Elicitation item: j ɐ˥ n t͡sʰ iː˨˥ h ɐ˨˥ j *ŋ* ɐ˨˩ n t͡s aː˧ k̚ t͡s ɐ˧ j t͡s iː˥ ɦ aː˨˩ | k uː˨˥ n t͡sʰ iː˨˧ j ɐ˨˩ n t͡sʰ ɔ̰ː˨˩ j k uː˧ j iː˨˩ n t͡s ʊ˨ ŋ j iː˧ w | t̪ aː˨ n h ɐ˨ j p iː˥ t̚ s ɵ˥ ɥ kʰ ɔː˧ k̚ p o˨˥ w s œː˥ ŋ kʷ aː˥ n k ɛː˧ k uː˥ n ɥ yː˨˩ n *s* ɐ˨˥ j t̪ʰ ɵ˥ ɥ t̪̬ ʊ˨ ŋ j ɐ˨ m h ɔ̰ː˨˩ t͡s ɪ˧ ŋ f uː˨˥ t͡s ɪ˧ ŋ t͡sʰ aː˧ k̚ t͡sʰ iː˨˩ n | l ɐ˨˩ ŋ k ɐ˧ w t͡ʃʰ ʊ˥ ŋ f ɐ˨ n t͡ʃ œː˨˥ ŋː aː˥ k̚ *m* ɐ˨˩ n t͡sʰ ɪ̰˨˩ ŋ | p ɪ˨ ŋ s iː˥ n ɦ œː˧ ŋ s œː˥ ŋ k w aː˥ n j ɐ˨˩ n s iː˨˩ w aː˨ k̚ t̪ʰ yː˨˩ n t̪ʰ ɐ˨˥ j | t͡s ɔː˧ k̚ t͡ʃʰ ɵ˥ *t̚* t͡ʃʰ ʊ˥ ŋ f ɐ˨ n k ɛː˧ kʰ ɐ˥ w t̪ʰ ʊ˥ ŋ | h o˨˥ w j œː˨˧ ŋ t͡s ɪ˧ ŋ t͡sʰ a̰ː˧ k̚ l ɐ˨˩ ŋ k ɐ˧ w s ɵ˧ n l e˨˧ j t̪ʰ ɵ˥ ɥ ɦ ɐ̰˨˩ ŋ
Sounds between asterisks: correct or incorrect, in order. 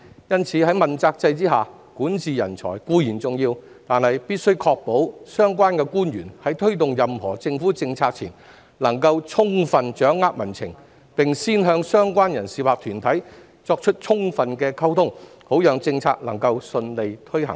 incorrect, incorrect, correct, correct

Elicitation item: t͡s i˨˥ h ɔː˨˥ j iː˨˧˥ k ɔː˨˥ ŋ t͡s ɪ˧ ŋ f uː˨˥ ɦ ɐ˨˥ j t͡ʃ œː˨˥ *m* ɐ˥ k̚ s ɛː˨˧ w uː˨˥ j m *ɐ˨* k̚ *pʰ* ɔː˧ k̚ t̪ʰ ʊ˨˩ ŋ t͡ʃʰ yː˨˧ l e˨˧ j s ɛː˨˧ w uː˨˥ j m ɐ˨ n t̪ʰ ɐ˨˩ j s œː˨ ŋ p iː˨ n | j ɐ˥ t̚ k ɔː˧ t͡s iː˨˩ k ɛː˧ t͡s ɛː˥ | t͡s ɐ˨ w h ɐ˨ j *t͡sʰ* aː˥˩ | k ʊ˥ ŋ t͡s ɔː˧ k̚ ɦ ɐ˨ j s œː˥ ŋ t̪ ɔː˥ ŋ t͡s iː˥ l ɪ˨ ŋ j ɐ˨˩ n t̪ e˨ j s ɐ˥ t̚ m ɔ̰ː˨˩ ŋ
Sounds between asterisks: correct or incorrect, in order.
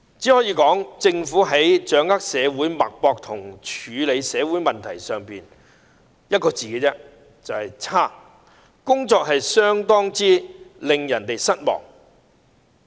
incorrect, correct, incorrect, correct

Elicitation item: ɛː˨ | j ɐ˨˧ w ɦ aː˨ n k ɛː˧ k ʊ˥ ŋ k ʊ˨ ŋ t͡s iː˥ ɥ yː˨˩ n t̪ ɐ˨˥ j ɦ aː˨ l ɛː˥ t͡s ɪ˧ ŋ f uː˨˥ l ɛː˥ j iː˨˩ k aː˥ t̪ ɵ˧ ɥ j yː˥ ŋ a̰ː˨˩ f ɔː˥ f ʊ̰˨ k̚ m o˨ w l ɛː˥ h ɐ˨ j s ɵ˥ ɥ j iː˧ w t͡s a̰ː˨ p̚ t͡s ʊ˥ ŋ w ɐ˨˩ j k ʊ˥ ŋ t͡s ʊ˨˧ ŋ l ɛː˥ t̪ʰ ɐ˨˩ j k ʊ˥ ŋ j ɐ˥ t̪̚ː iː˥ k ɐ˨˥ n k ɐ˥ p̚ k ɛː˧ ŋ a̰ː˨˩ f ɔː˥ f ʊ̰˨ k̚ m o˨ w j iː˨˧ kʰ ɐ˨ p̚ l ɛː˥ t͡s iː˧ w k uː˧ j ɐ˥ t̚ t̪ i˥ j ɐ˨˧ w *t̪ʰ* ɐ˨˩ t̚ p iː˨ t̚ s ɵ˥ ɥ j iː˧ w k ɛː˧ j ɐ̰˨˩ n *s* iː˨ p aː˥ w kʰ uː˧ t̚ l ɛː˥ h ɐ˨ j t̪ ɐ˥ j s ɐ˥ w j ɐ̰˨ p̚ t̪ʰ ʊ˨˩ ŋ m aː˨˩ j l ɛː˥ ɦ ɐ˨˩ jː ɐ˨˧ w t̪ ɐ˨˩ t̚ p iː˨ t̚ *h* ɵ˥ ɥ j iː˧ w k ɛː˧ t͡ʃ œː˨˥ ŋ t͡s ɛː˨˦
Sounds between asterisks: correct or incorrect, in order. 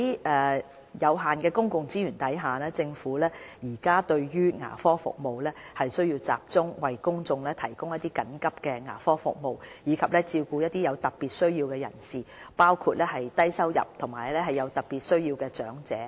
incorrect, correct, incorrect

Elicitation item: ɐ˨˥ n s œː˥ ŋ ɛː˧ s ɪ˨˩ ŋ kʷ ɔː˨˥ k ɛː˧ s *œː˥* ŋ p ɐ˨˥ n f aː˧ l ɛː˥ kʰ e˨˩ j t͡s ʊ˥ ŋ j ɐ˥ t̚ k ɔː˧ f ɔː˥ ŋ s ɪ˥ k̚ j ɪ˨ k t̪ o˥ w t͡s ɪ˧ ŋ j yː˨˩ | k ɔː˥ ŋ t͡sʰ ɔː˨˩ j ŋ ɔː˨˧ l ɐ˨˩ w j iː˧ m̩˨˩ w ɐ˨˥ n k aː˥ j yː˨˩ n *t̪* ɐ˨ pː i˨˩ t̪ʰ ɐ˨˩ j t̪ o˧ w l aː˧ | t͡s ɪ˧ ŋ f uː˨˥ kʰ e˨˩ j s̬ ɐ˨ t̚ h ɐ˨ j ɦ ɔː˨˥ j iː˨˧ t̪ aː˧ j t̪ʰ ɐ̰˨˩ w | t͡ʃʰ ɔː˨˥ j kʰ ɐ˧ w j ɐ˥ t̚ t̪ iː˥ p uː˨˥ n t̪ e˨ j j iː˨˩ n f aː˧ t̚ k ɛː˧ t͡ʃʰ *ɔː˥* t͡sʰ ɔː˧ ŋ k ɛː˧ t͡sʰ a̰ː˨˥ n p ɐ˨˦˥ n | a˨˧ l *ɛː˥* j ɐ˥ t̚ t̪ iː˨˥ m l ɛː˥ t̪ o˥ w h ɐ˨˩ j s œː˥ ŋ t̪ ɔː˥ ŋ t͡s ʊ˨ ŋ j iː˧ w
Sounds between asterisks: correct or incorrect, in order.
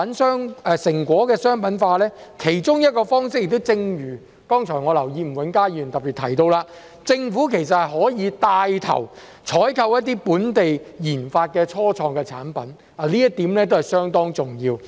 correct, correct, correct, incorrect

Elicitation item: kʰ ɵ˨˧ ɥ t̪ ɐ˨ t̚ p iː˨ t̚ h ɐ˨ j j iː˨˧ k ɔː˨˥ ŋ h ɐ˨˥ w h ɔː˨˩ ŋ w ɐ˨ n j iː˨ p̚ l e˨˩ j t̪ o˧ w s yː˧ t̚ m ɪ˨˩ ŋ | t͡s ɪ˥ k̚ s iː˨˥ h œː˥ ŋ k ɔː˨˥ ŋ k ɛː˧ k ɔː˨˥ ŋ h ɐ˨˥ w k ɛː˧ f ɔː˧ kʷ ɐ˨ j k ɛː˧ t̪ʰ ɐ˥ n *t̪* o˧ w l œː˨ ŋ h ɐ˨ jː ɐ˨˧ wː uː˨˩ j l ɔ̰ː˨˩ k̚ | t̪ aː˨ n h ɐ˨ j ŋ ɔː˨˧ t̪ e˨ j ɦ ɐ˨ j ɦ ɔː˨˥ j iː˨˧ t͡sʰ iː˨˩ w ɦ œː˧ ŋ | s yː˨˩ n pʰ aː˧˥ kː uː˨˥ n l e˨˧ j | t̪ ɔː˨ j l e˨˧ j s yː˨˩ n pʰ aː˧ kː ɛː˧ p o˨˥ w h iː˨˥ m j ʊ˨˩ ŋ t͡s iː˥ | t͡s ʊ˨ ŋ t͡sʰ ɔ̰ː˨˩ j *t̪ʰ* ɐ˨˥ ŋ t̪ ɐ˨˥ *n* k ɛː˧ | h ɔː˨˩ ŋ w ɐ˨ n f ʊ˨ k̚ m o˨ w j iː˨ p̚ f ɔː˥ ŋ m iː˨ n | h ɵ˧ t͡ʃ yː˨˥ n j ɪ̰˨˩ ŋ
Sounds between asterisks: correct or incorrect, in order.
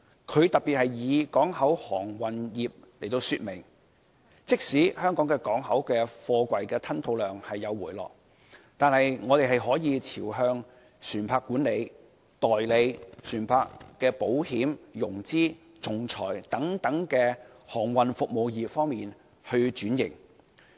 incorrect, incorrect, incorrect

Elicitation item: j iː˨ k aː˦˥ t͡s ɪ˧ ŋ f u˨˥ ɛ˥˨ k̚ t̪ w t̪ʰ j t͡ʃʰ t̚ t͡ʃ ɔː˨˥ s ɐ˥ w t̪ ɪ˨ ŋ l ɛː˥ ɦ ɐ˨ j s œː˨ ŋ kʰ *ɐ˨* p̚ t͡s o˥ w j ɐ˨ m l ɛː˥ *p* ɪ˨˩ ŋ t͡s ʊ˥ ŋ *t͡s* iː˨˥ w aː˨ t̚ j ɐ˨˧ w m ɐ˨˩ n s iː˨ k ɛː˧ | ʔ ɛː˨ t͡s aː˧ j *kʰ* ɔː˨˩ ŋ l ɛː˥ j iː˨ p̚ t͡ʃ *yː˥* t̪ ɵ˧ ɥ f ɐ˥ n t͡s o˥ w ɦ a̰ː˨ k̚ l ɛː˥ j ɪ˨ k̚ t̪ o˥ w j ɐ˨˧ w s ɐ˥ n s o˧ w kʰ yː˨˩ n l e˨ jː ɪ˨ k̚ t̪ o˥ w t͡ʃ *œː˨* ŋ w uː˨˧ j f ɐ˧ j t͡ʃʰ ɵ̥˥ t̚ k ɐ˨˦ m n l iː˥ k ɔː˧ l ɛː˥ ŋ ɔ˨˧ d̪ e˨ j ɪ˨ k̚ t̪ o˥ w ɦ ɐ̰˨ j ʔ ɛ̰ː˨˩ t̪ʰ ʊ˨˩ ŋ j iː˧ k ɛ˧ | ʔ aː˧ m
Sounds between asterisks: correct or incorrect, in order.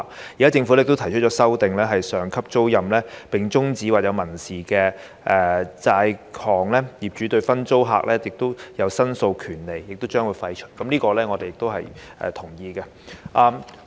incorrect, correct, correct, correct, incorrect, incorrect

